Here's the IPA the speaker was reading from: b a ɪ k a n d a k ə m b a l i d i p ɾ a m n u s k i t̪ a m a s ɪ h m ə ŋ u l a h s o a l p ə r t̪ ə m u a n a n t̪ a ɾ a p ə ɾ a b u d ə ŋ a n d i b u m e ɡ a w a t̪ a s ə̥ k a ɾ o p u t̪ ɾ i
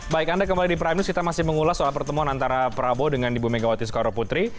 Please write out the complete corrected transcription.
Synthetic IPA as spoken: b a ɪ k a n d a k ə m b a l i d i p ɾ a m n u s k i t̪ a m a s ɪ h m ə ŋ u l a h s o a l p ə r t̪ ə m u a n a n t̪ a ɾ a p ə ɾ a b o d ə ŋ a n d i b u m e ɡ a w a t̪ i s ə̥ k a ɾ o p u t̪ ɾ i